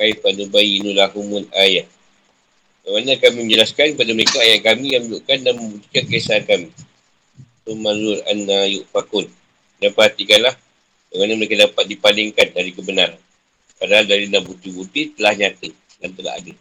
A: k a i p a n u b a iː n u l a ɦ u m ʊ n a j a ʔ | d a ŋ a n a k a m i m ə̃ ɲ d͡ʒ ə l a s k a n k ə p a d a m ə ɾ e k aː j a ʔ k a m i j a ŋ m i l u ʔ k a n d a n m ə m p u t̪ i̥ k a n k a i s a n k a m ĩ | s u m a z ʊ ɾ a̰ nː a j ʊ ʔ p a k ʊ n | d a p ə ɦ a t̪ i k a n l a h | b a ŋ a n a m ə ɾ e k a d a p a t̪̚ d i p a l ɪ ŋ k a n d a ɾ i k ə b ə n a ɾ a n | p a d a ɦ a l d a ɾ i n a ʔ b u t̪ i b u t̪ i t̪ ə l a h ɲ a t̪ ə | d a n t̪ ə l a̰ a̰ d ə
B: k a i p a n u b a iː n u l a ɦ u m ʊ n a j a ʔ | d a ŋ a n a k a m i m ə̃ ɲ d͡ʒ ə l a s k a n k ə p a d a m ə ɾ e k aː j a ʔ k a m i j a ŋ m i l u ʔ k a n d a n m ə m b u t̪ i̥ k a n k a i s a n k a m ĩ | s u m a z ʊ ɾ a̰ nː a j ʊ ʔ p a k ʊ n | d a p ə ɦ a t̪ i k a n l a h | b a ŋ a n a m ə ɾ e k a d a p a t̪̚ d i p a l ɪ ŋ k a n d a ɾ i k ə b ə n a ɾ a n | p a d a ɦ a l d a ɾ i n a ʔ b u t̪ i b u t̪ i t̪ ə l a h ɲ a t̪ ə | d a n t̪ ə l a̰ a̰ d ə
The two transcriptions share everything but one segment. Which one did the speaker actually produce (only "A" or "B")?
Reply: B